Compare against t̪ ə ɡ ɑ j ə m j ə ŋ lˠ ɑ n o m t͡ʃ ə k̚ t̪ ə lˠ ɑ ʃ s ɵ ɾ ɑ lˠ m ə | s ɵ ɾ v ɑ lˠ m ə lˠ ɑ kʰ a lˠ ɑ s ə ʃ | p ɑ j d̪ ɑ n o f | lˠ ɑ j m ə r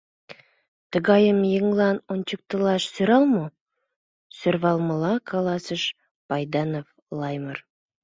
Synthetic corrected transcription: t̪ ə ɡ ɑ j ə m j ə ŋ lˠ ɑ n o n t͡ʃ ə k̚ t̪ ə lˠ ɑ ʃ s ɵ ɾ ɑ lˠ m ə | s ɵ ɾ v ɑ lˠ m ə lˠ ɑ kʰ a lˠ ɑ s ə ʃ | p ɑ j d̪ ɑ n o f | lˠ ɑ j m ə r